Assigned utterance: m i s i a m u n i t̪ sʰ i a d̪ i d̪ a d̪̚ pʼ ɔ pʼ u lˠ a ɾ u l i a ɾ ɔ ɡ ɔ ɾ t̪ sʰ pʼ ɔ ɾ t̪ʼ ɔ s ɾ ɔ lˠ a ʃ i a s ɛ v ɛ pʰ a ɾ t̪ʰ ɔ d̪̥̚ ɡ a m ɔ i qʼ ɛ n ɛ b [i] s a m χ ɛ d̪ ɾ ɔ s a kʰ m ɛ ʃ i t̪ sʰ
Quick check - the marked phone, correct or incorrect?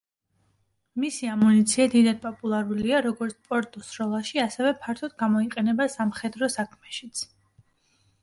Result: incorrect